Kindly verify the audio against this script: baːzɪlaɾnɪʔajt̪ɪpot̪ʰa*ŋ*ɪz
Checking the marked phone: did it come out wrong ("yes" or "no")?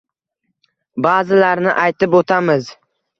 yes